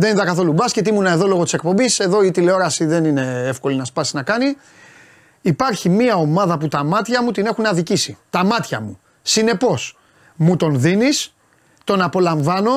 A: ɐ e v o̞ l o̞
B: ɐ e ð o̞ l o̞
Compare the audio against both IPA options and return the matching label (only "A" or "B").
B